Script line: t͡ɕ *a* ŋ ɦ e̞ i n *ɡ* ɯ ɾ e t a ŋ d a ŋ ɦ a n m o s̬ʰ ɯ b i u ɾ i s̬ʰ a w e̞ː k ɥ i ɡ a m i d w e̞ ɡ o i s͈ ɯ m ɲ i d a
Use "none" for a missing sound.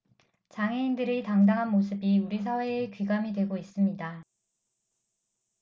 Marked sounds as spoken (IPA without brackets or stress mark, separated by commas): a, d